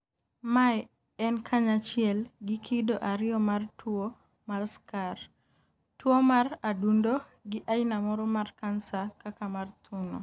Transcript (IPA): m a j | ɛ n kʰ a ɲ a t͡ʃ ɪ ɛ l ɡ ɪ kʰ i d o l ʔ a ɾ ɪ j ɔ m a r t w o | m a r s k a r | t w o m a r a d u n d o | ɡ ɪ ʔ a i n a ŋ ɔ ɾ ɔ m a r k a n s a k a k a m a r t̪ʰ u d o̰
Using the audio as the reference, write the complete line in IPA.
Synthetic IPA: m a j | ɛ n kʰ a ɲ a t͡ʃ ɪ ɛ l ɡ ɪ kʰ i d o ʔ a ɾ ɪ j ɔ m a r t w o | m a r s k a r | t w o m a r a d u n d o | ɡ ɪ ʔ a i n a m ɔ ɾ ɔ m a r k a n s a k a k a m a r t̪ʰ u n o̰

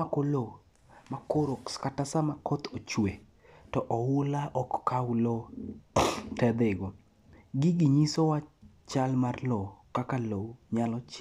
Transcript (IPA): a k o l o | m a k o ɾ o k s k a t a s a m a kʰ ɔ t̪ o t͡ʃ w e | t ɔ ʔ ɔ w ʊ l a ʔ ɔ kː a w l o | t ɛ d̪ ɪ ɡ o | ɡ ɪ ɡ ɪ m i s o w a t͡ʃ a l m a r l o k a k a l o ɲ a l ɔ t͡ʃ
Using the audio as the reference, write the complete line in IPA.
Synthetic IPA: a k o l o | m a k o ɾ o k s k a t a s a m a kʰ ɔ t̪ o t͡ʃ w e | t ɔ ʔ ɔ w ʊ l a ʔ ɔ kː a w l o | t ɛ d̪ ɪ ɡ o | ɡ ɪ ɡ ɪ ɲ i s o w a t͡ʃ a l m a r l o k a k a l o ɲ a l ɔ t͡ʃ

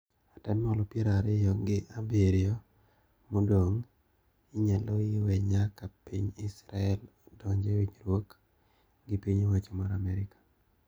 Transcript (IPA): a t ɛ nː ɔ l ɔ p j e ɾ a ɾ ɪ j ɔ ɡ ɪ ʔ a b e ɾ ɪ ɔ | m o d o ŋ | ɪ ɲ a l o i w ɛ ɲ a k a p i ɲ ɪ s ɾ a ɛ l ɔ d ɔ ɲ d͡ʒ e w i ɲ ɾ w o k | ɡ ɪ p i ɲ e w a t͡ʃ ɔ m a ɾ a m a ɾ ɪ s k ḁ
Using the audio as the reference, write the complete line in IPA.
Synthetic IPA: a t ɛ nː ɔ l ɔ p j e ɾ a ɾ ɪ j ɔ ɡ ɪ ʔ a b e ɾ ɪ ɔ | m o d o ŋ | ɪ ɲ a l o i w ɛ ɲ a k a p i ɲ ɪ s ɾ a ɛ l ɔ d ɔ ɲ d͡ʒ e w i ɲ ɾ w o k | ɡ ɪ p i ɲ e w a t͡ʃ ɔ m a ɾ a m ɛ ɾ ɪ k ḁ

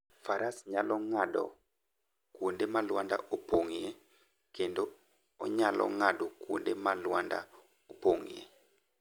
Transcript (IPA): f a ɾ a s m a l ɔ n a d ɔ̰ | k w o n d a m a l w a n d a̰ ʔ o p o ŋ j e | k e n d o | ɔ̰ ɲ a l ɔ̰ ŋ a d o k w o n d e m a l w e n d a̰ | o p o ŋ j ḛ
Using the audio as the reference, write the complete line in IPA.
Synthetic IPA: f a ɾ a s ɲ a l ɔ ŋ a d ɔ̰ | k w o n d e m a l w a n d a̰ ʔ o p o ŋ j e | k e n d o | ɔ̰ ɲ a l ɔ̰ ŋ a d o k w o n d e m a l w a n d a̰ | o p o ŋ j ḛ

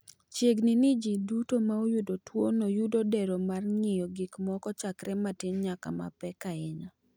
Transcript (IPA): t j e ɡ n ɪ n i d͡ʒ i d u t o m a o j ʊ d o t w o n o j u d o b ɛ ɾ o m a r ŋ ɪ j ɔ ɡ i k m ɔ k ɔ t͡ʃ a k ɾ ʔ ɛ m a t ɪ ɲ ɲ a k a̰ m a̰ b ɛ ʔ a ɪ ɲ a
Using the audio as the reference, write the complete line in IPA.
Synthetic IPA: t͡ʃ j e ɡ n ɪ n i d͡ʒ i d u t o m a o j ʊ d o t w o n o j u d o d ɛ ɾ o m a r ŋ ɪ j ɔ ɡ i k m ɔ k ɔ t͡ʃ a k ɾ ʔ ɛ m a t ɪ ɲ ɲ a k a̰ m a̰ p ɛ k a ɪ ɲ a

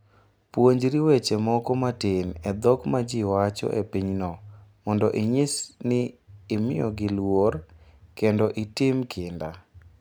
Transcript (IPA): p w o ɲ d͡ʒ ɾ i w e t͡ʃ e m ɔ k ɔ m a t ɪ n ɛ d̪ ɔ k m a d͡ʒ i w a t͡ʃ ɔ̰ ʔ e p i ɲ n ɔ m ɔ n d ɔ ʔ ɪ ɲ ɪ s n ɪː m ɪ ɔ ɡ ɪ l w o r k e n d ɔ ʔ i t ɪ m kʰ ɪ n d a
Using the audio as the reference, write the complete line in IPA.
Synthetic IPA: p w o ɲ d͡ʒ ɾ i w e t͡ʃ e m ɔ k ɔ m a t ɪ n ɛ d̪ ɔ k m a d͡ʒ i w a t͡ʃ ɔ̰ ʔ e p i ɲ n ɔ m ɔ n d ɔ ʔ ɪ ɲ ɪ s n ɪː m ɪ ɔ ɡ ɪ l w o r k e n d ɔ ʔ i t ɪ m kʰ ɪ n d a

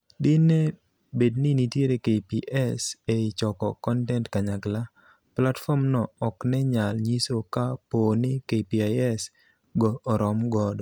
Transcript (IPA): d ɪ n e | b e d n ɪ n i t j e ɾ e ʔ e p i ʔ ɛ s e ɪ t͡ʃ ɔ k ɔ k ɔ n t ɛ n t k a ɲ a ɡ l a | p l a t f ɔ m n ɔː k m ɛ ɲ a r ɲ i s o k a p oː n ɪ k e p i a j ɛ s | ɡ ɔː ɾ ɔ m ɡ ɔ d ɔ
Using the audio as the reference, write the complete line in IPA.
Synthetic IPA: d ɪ n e | b e d n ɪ n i t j e ɾ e k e p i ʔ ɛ s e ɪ t͡ʃ ɔ k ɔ k ɔ n t ɛ n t k a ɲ a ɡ l a | p l a t f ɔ m n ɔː k n ɛ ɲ a l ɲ i s o k a p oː n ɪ k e p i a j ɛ s | ɡ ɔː ɾ ɔ m ɡ ɔ d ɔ

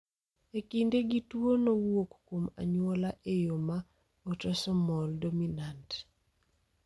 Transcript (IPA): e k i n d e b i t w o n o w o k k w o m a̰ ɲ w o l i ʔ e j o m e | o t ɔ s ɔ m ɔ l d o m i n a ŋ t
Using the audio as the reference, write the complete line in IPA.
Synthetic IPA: e k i n d e ɡ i t w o n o w o k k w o m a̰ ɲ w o l a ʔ e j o m a | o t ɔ s ɔ m ɔ l d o m i n a n t

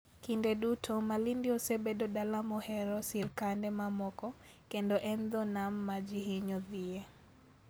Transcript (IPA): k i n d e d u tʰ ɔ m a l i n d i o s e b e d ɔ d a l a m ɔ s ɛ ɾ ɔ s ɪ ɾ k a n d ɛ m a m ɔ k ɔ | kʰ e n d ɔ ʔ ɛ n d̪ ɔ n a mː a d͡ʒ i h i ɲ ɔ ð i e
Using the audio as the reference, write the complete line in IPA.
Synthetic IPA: k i n d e d u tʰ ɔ m a l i n d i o s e b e d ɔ d a l a m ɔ h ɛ ɾ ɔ s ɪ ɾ k a n d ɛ m a m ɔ k ɔ | k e n d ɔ ʔ ɛ n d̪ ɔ n a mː a d͡ʒ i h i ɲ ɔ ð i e

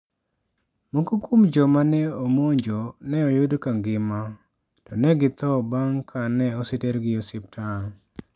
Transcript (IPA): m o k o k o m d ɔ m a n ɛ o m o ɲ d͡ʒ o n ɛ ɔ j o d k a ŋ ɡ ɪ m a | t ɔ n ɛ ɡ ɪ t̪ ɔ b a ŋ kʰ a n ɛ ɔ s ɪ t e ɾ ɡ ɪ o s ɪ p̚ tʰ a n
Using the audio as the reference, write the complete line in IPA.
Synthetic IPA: m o k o k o m d͡ʒ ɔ m a n ɛ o m o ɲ d͡ʒ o n ɛ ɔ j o d k a ŋ ɡ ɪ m a | t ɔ n ɛ ɡ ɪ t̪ ɔ b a ŋ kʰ a n ɛ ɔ s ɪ t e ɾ ɡ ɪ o s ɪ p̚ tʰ a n

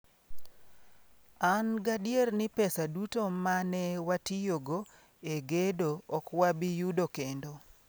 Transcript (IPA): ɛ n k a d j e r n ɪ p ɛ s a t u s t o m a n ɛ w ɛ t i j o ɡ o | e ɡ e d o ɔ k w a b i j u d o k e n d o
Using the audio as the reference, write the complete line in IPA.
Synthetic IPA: a n ɡ a d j e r n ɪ p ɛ s a d u t o m a n ɛ w a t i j o ɡ o | e ɡ e d o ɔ k w a b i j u d o k e n d o

